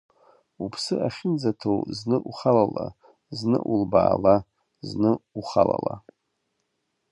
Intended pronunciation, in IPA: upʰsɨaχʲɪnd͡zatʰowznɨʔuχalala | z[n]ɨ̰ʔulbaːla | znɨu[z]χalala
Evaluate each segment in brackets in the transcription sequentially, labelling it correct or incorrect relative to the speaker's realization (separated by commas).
correct, incorrect